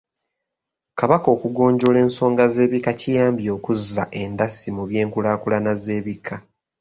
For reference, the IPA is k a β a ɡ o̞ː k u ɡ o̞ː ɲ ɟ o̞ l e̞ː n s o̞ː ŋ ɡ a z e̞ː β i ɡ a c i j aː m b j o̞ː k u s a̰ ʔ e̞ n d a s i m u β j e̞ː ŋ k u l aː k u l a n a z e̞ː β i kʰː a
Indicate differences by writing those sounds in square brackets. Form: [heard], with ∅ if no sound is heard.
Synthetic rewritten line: k a β a [k] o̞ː k u ɡ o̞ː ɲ ɟ o̞ l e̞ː n s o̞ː ŋ ɡ a z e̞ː β i [k] a c i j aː m b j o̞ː k u [z] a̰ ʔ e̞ n d a s i m u β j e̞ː ŋ k u l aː k u l a n a z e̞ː β i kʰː a